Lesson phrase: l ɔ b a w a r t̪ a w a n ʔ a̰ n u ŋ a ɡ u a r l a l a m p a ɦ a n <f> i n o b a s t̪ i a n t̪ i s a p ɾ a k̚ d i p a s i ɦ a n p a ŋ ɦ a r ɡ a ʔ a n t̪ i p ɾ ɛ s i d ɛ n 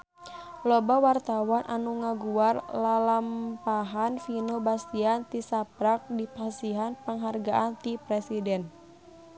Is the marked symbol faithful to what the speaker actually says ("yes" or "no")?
yes